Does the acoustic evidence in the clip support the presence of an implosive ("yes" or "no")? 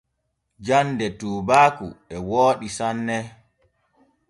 yes